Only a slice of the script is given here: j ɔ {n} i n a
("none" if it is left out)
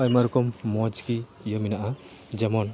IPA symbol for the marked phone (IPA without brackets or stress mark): m